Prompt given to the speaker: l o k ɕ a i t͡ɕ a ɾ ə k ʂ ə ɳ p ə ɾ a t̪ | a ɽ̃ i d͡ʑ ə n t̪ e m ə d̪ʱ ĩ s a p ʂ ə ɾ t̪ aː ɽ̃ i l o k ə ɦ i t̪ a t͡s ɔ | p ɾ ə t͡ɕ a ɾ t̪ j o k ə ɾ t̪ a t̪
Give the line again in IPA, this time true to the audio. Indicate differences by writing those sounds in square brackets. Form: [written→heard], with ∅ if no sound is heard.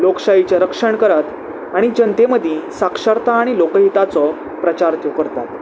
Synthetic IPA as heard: l o k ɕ a i t͡ɕ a ɾ ə k ʂ ə ɳ [p→k] ə ɾ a t̪ | a ɽ̃ i d͡ʑ ə n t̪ e m ə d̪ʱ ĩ s a [p→k] ʂ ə ɾ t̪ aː ɽ̃ i l o k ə ɦ i t̪ a t͡s ɔ | p ɾ ə t͡ɕ a ɾ t̪ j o k ə ɾ t̪ a t̪